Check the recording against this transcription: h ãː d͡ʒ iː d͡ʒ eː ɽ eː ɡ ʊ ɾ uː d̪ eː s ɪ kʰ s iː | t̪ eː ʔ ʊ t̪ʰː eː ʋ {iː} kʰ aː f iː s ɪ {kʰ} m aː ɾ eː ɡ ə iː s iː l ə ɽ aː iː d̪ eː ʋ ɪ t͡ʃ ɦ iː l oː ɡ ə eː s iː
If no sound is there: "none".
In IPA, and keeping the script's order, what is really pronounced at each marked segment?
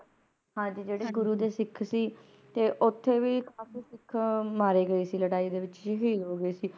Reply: iː, kʰ

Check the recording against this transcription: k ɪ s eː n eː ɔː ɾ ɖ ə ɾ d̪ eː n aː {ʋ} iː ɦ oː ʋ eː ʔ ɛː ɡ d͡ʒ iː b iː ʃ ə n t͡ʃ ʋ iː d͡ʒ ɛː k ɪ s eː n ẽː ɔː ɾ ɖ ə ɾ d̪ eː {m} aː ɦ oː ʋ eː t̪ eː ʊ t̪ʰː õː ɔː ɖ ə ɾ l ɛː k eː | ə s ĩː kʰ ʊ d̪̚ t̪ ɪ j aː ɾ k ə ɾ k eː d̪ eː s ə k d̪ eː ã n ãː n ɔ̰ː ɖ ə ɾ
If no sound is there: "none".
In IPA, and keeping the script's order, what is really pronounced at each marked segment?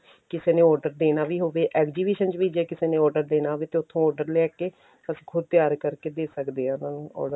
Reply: ʋ, n

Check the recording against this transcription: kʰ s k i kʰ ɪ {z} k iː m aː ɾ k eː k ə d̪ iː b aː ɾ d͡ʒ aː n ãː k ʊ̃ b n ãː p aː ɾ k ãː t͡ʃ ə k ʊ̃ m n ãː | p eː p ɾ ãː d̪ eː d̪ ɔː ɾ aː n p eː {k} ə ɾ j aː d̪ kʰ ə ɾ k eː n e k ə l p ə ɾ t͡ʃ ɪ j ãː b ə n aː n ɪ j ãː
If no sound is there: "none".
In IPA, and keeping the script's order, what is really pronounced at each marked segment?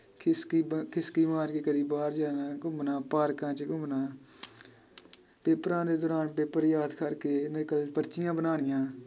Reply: s, p

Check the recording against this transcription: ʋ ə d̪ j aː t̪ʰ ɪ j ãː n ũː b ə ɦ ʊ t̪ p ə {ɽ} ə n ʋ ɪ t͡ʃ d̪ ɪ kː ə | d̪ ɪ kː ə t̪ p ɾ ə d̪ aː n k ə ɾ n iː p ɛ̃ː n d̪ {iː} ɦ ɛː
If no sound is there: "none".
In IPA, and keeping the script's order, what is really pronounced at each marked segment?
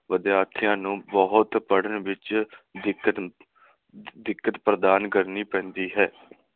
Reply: ɽ, iː

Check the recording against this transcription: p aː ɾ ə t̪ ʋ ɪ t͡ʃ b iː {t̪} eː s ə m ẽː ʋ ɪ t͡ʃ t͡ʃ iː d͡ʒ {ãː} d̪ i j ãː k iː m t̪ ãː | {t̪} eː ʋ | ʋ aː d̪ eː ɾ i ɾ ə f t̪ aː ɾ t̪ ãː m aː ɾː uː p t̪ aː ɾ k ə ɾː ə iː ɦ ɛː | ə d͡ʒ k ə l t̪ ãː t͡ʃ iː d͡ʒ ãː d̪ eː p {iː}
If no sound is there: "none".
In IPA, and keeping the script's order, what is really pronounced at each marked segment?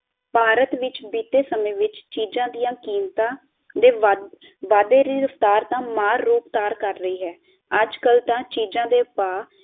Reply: t̪, ãː, d̪, aː

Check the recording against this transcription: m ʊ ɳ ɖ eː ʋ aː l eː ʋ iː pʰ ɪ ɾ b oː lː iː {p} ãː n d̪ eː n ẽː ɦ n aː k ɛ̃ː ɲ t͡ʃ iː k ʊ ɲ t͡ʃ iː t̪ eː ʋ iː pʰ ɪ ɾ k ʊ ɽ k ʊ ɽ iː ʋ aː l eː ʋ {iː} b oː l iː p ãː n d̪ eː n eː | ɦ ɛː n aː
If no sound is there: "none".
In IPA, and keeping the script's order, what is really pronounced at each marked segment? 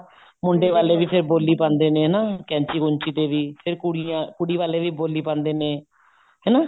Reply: p, iː

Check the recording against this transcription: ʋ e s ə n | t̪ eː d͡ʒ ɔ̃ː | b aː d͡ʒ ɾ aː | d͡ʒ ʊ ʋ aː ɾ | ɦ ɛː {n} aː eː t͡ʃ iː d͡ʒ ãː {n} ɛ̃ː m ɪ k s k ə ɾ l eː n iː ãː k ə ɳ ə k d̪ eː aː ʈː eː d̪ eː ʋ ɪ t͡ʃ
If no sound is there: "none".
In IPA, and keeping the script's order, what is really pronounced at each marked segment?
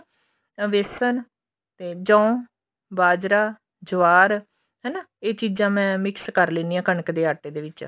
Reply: n, m

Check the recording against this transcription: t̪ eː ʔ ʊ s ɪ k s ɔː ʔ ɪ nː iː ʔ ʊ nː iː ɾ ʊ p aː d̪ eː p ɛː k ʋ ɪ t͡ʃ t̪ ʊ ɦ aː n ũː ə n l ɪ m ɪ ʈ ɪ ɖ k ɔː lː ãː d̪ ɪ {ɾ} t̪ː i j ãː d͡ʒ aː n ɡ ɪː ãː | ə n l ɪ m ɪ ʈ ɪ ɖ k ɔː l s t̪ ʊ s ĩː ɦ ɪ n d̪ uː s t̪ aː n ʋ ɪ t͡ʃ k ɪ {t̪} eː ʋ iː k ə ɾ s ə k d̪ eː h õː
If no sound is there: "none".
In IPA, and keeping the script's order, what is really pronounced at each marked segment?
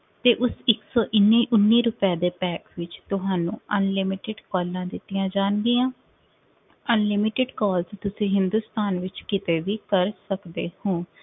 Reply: none, t̪

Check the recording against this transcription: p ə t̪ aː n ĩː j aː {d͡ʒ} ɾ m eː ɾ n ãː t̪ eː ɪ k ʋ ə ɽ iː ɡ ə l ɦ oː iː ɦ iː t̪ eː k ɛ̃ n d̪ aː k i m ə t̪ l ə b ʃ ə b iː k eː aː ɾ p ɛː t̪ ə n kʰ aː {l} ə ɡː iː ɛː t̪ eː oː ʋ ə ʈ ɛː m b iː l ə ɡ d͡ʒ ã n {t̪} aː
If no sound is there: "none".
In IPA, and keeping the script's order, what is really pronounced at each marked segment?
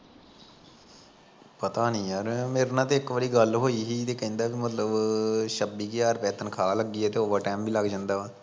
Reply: none, l, d̪

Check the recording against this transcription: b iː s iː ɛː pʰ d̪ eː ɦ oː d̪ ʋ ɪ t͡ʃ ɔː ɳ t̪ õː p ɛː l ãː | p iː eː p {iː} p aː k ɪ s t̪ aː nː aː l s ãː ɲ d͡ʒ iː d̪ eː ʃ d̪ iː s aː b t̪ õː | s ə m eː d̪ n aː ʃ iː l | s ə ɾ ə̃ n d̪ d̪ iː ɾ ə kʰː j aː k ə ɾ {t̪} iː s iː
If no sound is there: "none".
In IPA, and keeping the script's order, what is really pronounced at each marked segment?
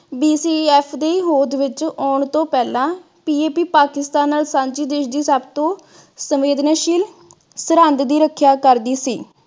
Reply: iː, d̪

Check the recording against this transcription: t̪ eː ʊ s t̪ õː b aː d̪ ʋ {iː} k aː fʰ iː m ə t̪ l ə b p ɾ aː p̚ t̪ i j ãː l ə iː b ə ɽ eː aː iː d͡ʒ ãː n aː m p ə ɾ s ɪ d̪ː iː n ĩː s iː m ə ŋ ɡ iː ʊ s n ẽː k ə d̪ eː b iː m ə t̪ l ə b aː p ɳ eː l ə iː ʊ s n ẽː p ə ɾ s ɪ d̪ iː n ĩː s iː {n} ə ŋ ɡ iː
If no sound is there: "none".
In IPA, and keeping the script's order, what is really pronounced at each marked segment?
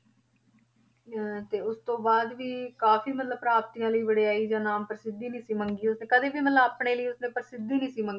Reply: iː, m

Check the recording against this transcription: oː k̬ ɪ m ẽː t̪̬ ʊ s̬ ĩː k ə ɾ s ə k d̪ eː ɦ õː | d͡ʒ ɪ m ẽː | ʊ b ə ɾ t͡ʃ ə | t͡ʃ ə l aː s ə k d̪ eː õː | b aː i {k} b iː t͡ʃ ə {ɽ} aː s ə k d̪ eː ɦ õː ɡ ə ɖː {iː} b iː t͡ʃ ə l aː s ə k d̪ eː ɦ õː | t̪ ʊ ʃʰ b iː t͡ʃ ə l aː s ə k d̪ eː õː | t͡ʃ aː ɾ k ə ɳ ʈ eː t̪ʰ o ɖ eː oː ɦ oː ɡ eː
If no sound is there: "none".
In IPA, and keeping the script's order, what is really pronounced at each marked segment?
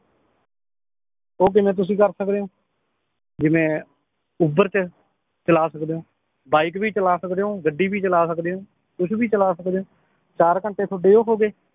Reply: k, l, iː

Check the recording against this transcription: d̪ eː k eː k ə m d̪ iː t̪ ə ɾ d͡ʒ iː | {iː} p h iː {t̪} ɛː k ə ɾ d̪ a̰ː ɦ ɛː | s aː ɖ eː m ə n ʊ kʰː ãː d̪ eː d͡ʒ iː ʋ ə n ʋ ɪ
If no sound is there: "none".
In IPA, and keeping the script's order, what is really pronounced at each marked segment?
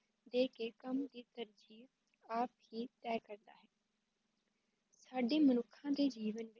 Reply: aː, t̪

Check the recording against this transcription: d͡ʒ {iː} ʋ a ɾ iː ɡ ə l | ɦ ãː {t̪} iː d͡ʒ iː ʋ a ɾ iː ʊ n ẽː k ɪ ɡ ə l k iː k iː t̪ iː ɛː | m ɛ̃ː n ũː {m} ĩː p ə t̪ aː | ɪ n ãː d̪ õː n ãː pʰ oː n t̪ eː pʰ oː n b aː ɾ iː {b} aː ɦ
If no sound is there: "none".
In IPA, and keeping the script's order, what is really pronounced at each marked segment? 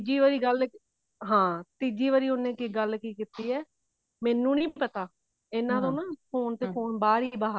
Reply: iː, t̪, n, b

